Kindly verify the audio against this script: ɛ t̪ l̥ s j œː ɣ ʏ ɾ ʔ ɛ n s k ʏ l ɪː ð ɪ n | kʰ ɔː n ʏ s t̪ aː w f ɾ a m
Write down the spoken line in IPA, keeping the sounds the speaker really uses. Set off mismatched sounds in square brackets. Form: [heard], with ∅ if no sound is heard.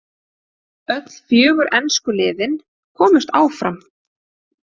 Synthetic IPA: [œ] t̪ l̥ [f] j œː ɣ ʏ ɾ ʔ ɛ n s k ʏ l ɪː ð ɪ n | kʰ ɔː [m] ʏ s t̪ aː w f ɾ a m